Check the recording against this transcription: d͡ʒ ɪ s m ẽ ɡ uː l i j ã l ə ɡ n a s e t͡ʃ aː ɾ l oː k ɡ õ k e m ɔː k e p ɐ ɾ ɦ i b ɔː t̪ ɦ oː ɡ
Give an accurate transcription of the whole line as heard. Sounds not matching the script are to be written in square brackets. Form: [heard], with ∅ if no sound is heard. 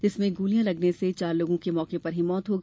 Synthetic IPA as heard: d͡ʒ ɪ s m ẽ ɡ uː l i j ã l [ɐ] ɡ n [e] s e t͡ʃ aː ɾ l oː [∅] ɡ õ k e m ɔː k e p ɐ ɾ ɦ i [m] ɔː t̪ ɦ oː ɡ